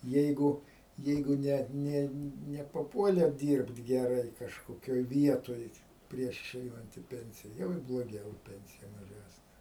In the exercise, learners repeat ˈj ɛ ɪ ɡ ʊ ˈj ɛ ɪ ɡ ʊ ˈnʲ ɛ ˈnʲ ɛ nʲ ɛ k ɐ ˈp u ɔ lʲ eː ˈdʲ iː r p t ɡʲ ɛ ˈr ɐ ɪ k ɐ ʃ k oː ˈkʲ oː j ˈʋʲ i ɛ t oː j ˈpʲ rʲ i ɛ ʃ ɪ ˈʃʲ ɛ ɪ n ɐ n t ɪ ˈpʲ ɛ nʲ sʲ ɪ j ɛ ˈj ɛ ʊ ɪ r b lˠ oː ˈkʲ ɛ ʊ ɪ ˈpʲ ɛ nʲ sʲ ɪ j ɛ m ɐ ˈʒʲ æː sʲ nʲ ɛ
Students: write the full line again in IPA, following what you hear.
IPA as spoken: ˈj ɛ ɪ ɡ ʊ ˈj ɛ ɪ ɡ ʊ ˈnʲ ɛ ˈnʲ ɛ nʲ ɛ p ɐ ˈp u ɔ lʲ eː ˈdʲ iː r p t ɡʲ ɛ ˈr ɐ ɪ k ɐ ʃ k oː ˈkʲ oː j ˈʋʲ i ɛ t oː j ˈpʲ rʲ i ɛ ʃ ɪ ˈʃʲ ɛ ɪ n ɐ n t ɪ ˈpʲ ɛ nʲ sʲ ɪ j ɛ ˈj ɛ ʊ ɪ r b lˠ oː ˈɡʲ ɛ ʊ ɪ ˈpʲ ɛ nʲ sʲ ɪ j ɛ m ɐ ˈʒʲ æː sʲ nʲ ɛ